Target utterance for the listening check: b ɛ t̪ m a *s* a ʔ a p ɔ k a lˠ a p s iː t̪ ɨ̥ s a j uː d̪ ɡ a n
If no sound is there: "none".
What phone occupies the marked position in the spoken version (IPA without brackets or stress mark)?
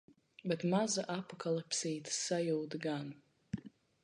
z